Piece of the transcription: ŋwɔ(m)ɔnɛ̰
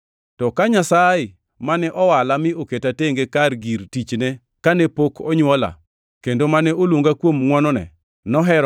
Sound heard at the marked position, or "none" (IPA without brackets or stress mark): n